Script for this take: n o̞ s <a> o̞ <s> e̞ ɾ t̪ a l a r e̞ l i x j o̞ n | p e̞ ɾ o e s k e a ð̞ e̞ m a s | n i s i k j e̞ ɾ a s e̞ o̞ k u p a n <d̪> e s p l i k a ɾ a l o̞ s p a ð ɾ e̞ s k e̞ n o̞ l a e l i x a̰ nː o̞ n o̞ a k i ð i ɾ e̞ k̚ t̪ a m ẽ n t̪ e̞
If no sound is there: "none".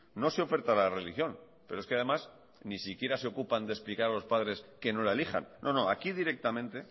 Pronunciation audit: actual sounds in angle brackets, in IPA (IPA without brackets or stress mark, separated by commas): e, f, d̪